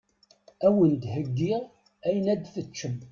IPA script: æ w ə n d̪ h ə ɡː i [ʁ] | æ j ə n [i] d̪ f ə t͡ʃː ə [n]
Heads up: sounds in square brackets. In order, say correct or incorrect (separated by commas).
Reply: correct, incorrect, incorrect